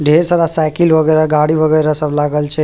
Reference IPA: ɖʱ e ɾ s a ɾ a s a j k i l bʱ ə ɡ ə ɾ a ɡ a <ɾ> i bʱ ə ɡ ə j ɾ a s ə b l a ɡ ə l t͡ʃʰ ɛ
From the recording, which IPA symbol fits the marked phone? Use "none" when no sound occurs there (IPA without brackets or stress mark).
ɽ